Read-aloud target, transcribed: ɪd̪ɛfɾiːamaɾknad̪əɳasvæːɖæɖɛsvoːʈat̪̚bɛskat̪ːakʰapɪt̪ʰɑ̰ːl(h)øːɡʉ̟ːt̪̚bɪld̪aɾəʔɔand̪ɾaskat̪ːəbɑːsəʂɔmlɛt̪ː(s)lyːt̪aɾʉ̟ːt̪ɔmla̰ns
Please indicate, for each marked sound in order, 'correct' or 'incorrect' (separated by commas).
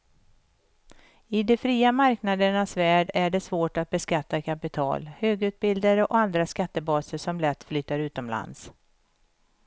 correct, incorrect